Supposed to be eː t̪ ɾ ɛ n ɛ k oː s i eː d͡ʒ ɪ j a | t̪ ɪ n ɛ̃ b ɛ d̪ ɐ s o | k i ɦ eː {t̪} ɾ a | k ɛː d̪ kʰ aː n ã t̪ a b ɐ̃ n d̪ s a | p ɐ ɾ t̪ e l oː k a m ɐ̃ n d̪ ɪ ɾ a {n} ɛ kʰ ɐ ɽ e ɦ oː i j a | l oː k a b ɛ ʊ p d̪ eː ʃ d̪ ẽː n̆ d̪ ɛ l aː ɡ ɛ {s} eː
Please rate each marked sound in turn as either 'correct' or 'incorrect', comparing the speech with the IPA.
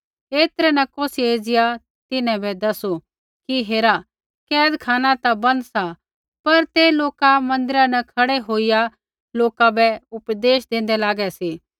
incorrect: none, correct, correct

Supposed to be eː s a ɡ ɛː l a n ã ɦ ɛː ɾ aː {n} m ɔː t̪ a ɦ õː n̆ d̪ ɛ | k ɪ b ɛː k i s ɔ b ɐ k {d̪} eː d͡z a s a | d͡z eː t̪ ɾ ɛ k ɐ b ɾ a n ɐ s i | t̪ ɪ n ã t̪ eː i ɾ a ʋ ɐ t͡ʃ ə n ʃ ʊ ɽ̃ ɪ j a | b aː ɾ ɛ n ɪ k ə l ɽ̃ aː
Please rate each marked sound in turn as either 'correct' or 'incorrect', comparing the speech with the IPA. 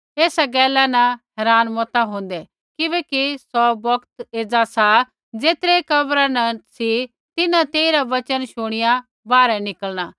correct, incorrect: t̪

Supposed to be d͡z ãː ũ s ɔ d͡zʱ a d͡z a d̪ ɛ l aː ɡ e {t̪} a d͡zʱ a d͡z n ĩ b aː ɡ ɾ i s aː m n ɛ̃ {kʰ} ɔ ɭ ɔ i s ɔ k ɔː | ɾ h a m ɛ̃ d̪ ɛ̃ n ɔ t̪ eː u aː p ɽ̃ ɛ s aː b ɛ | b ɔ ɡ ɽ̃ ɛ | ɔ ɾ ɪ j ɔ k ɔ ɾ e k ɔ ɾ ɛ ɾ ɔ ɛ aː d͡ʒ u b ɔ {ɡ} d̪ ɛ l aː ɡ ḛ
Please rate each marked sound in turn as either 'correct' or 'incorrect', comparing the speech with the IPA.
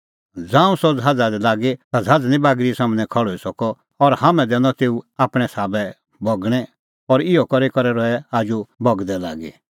correct, correct, correct

